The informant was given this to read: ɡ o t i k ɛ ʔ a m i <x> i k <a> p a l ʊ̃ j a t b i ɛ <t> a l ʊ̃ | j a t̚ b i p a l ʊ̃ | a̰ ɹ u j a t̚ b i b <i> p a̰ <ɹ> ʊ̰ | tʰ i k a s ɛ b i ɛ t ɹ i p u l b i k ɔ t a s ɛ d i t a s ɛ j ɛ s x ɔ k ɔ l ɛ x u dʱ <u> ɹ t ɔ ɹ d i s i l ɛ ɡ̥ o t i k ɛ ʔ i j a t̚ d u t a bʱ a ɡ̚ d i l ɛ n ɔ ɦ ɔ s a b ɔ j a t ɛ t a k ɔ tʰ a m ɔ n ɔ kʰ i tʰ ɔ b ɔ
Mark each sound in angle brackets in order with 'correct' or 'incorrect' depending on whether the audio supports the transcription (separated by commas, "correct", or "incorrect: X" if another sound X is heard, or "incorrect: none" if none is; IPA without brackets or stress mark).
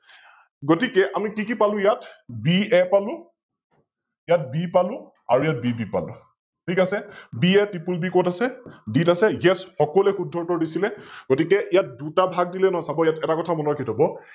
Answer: incorrect: k, incorrect: i, incorrect: p, correct, incorrect: l, incorrect: ɔ